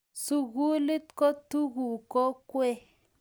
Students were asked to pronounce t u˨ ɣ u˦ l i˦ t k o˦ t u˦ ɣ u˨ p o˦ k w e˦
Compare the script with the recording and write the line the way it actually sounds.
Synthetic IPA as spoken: s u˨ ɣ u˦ l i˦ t k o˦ t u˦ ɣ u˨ k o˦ k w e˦